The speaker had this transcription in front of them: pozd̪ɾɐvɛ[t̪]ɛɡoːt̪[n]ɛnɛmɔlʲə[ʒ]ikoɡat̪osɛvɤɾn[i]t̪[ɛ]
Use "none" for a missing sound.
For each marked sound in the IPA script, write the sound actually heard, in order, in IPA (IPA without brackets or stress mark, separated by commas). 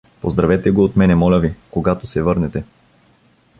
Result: t̪, m, v, ɛ, ɛ